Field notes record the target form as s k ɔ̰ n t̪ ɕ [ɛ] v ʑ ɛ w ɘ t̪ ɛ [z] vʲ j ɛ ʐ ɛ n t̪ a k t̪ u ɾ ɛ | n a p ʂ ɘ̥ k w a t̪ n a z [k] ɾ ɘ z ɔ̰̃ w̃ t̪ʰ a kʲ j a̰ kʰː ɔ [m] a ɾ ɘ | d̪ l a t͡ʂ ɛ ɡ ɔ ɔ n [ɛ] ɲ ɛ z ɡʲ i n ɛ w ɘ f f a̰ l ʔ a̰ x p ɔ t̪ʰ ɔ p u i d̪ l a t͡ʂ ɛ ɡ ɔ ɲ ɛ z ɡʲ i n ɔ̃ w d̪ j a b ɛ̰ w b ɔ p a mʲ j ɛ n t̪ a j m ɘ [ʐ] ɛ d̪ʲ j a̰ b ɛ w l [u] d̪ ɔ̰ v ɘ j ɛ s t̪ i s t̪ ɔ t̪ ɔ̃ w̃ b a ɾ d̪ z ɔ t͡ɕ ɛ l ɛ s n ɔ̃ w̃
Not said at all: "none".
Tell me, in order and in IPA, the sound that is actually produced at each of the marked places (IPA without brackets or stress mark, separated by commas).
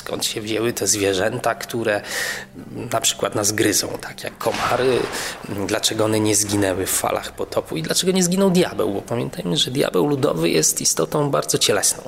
ɛ, z, ɡ, m, ɛ, ʐ, u